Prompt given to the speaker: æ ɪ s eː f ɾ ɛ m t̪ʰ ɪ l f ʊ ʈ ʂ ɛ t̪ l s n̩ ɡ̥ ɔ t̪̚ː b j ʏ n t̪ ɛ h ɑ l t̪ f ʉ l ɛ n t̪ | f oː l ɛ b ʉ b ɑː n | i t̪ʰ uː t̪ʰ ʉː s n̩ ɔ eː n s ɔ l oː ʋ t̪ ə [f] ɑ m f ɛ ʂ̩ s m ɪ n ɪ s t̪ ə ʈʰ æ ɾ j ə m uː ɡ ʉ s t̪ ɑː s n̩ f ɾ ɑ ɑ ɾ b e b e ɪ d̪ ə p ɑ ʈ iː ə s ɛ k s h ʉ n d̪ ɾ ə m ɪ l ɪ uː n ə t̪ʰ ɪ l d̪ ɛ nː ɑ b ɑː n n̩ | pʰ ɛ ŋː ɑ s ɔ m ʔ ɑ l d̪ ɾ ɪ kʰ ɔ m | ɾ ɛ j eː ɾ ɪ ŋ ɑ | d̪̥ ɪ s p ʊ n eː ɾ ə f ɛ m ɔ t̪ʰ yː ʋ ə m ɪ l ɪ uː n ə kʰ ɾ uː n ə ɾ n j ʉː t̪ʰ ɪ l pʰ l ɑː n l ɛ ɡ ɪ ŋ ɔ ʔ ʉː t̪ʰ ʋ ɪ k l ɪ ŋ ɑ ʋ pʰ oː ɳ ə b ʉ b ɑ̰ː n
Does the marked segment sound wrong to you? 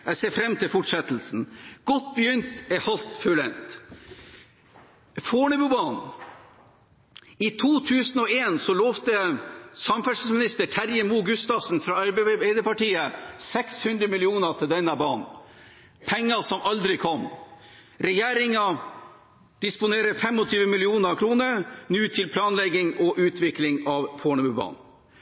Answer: yes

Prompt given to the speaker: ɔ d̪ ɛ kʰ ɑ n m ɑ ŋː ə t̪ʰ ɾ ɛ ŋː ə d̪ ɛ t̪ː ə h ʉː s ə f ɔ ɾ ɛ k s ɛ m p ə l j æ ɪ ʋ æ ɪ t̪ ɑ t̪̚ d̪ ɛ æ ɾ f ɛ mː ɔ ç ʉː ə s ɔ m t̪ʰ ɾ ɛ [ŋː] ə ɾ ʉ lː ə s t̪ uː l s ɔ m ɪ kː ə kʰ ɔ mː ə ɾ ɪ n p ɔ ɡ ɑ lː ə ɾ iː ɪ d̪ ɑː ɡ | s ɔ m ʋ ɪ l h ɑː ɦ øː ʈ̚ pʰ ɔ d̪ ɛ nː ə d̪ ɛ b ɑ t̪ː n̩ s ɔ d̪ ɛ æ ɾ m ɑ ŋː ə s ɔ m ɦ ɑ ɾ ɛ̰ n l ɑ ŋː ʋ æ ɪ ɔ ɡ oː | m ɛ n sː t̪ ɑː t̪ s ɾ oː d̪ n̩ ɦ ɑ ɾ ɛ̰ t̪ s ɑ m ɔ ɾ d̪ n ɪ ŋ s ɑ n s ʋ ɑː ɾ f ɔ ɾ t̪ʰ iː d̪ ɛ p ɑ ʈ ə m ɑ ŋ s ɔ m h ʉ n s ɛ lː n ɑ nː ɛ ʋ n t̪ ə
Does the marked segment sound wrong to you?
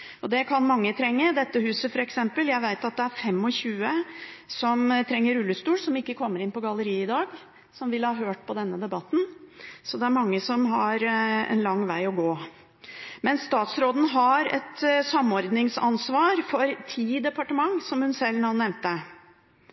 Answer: no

